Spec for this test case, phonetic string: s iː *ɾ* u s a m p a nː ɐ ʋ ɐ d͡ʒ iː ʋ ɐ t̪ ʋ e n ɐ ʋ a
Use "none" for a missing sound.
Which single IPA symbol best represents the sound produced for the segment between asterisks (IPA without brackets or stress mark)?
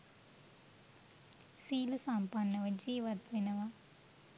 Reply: l